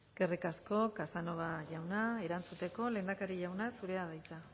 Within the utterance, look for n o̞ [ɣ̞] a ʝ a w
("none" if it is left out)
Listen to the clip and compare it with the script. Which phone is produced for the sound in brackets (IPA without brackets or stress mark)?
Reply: ɣ̞